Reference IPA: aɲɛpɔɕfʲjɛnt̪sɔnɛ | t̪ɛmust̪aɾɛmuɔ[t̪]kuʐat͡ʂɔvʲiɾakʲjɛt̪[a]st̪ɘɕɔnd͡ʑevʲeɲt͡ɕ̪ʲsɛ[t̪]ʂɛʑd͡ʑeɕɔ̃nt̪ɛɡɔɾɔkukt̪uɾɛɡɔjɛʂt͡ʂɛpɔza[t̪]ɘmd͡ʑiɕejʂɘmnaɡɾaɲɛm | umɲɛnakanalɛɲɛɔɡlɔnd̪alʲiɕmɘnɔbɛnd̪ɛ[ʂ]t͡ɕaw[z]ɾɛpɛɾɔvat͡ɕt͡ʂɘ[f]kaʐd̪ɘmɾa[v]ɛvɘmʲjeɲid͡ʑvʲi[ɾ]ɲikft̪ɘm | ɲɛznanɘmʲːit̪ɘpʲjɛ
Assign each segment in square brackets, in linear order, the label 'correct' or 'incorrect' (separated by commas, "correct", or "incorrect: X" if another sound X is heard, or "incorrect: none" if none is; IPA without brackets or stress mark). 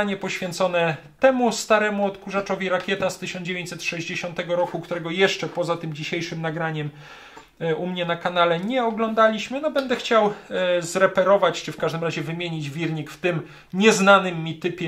correct, correct, correct, correct, incorrect: x, correct, correct, incorrect: ʑ, correct